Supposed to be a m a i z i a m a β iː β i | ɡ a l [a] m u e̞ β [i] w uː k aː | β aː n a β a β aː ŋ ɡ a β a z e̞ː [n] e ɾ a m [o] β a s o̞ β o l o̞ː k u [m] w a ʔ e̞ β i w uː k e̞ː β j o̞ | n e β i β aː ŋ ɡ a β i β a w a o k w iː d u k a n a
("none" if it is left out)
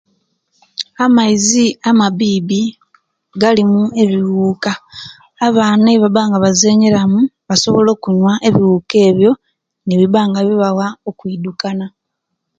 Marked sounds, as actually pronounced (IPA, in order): i, i, ɲ, u, ɲ

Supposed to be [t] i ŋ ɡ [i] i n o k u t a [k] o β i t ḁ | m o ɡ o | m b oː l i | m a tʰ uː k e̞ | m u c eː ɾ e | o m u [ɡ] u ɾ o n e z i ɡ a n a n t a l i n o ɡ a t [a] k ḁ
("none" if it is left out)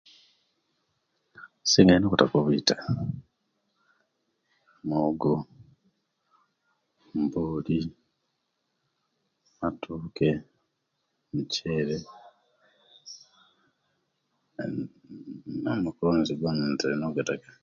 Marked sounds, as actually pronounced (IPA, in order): s, a, k, k, a

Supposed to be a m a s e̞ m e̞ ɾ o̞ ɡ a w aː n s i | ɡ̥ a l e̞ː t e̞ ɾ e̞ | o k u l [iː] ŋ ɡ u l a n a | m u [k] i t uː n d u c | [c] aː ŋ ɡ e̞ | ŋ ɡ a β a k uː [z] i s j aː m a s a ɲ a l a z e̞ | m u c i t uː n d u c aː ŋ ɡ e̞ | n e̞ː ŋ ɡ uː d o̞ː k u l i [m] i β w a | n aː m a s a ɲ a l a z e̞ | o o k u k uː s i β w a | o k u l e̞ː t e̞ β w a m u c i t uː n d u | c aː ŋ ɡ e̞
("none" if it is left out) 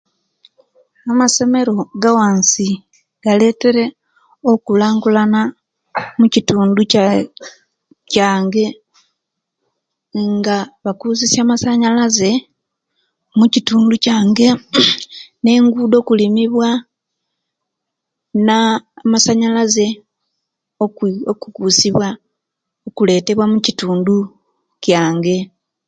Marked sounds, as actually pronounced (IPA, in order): aː, c, c, z, m

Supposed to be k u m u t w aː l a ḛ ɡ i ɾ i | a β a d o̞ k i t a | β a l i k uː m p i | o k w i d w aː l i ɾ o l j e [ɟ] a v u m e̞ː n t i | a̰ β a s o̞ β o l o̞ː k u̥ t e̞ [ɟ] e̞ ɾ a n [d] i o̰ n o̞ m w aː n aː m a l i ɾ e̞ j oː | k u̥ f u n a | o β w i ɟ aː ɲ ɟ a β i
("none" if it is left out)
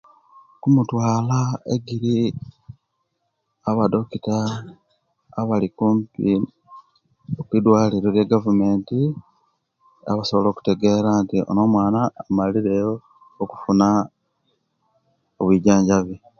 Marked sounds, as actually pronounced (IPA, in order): ɡ, ɡ, t

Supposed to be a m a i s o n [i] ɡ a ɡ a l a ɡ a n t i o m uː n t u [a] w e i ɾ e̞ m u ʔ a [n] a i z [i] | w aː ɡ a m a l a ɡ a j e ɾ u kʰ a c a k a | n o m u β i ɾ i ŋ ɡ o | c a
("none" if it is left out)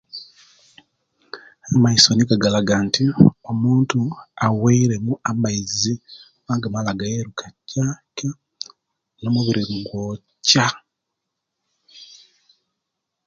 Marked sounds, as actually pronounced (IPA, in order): i, a, m, i

